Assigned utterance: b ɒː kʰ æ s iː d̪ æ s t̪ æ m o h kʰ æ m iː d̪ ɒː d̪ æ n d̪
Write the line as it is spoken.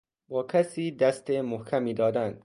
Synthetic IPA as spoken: b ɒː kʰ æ s iː d̪ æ s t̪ e m o h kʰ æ m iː d̪ ɒː d̪ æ n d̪